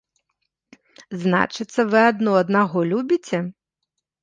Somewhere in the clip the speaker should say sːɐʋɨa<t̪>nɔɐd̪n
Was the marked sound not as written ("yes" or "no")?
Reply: yes